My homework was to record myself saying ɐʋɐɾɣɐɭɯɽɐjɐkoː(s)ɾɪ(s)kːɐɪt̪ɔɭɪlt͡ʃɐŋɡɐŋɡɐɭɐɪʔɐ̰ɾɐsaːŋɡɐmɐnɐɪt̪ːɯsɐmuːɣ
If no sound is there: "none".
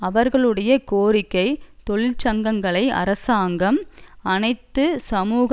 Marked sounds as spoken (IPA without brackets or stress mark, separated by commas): none, none